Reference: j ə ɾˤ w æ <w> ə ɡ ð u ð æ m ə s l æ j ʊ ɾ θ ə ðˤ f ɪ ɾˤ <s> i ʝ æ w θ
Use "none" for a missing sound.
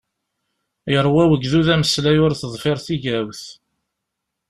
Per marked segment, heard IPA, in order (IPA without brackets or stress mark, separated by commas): w, θ